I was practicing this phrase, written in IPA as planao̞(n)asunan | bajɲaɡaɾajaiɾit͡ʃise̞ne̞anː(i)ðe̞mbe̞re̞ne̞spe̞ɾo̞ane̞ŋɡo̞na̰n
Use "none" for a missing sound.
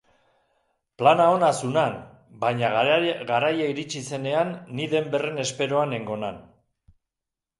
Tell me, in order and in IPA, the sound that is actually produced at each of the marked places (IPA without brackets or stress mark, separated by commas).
n, i